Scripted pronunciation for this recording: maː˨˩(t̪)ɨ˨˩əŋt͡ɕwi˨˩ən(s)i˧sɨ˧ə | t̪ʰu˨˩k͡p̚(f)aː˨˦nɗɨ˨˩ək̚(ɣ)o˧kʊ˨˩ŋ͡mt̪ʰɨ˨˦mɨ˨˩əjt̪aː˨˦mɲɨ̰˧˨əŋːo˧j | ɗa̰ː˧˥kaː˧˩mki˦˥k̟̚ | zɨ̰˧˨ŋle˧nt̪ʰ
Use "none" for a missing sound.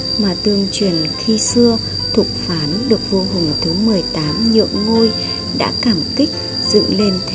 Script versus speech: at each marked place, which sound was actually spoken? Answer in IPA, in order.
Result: t̪, x, f, v

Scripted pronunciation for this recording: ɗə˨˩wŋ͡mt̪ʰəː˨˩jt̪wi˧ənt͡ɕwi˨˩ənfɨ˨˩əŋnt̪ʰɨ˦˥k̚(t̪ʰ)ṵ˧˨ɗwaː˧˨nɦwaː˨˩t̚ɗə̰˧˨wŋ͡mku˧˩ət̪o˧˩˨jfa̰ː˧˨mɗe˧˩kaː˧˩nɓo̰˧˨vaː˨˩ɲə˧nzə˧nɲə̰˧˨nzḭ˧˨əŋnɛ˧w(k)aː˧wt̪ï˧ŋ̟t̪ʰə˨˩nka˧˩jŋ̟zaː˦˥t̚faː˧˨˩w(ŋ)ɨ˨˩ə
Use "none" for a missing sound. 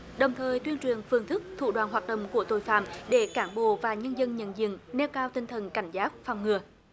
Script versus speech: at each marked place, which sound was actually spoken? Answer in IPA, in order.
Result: t̪ʰ, k, ŋ

